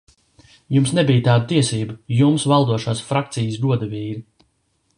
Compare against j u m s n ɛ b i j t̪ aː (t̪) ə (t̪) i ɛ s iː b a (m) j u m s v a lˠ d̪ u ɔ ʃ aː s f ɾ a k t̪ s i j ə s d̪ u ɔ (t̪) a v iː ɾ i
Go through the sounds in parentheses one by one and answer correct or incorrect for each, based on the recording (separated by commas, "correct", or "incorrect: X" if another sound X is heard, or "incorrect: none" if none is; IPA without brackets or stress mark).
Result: incorrect: d̪, correct, incorrect: none, incorrect: d̪